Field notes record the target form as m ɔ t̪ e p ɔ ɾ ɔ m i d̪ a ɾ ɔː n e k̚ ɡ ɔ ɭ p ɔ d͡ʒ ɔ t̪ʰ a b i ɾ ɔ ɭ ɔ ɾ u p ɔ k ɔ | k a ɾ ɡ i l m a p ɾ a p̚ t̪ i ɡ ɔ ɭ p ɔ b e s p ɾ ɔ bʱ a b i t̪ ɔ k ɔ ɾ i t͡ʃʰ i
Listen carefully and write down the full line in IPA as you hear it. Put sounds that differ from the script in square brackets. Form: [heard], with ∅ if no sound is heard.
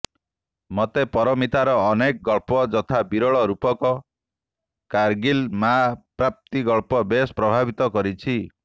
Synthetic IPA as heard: m ɔ t̪ e p ɔ ɾ ɔ m i [t̪] a ɾ ɔː n e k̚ ɡ ɔ ɭ p ɔ d͡ʒ ɔ t̪ʰ a b i ɾ ɔ ɭ ɔ ɾ u p ɔ k ɔ | k a ɾ ɡ i l m a p ɾ a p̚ t̪ i ɡ ɔ ɭ p ɔ b e s p ɾ ɔ bʱ a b i t̪ ɔ k ɔ ɾ i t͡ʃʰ i

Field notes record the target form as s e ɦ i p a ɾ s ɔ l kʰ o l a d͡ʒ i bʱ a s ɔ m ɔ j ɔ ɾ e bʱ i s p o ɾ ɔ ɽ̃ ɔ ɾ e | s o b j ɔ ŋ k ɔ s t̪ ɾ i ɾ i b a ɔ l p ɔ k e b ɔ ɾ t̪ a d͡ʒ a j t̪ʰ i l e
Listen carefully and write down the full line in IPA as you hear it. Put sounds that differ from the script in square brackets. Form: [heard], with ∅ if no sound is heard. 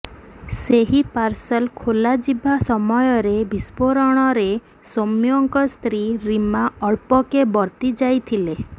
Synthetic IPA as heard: s e ɦ i p a ɾ s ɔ l kʰ o l a d͡ʒ i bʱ a s ɔ m ɔ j ɔ ɾ e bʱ i s p o ɾ ɔ ɽ̃ ɔ ɾ e | s o [m] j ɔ ŋ k ɔ s t̪ ɾ i ɾ i [m] a ɔ [ɭ] p ɔ k e b ɔ ɾ t̪ [i] d͡ʒ a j t̪ʰ i l e

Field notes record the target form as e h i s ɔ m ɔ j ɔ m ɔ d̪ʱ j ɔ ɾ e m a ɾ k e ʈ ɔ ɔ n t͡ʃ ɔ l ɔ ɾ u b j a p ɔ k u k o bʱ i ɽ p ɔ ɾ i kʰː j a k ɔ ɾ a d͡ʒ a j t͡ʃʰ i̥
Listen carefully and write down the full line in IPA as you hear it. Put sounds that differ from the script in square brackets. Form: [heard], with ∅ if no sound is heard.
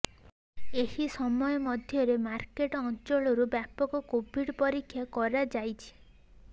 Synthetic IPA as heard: e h i s ɔ m ɔ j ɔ m ɔ d̪ʱ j ɔ ɾ e m a ɾ k e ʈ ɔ ɔ n t͡ʃ ɔ [ɭ] ɔ ɾ u b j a p ɔ k [ɔ] k o bʱ i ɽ p ɔ ɾ i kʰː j a k ɔ ɾ a d͡ʒ a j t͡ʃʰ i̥

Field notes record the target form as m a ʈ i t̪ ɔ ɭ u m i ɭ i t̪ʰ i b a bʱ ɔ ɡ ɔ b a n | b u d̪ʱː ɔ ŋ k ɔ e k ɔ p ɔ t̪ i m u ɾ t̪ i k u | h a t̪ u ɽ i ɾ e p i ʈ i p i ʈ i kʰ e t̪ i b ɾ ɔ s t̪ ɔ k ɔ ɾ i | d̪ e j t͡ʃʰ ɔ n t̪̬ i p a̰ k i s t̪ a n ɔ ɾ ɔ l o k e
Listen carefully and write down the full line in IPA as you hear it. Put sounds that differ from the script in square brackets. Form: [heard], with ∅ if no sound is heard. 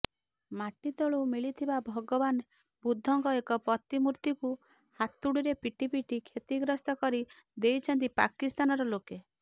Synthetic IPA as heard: m a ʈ i t̪ ɔ ɭ u m i ɭ i t̪ʰ i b a bʱ ɔ ɡ ɔ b a n | b u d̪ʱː ɔ ŋ k ɔ e k ɔ p ɔ t̪ i m u ɾ t̪ i k u | h a t̪ u ɽ i ɾ e p i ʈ i p i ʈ i kʰ e t̪ i [ɡ] ɾ ɔ s t̪ ɔ k ɔ ɾ i | d̪ e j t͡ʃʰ ɔ n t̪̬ i p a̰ k i s t̪ a n ɔ ɾ ɔ l o k e

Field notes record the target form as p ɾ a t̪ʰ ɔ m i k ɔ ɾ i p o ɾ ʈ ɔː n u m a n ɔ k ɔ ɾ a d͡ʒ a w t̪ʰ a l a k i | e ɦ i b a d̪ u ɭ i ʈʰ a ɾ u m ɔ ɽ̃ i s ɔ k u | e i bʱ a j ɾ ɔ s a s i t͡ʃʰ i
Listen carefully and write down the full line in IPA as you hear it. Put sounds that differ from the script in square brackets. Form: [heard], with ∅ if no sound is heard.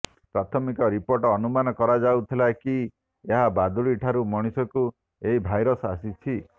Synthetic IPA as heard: p ɾ a t̪ʰ ɔ m i k ɔ ɾ i p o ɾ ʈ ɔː n u m a n ɔ k ɔ ɾ a d͡ʒ a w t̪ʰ [i] l a k i | e ɦ [a] b a d̪ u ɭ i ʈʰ a ɾ u m ɔ ɽ̃ i s ɔ k u | e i bʱ a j ɾ ɔ s a s i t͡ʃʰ i

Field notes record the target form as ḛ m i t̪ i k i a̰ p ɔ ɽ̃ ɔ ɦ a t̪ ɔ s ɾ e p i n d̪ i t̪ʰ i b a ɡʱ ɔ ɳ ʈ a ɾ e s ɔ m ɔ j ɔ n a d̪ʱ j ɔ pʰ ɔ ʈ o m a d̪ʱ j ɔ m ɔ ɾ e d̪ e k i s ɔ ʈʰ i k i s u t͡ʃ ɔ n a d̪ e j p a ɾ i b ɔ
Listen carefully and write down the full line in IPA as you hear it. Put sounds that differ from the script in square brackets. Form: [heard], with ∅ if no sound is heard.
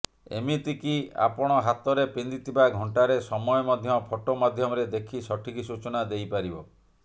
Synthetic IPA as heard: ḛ m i t̪ i k i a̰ p ɔ ɽ̃ ɔ ɦ a t̪ ɔ [∅] ɾ e p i n d̪ i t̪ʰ i b a ɡʱ ɔ ɳ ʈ a ɾ e s ɔ m ɔ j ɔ [m] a d̪ʱ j ɔ pʰ ɔ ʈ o m a d̪ʱ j ɔ m ɔ ɾ e d̪ e [kʰ] i s ɔ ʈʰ i k i s u t͡ʃ ɔ n a d̪ e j p a ɾ i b ɔ

